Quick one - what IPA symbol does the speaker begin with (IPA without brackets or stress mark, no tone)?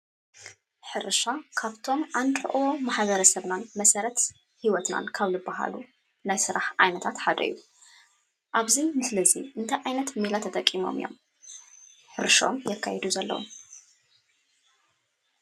ħ